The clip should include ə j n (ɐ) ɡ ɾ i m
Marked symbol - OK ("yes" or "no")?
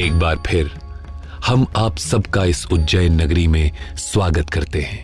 yes